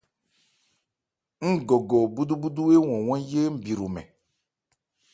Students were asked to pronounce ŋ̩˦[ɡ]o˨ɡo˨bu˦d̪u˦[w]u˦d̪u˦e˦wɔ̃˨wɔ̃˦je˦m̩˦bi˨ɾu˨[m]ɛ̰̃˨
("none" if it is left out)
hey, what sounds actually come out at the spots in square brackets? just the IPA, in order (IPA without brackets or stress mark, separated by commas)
ɡ, b, m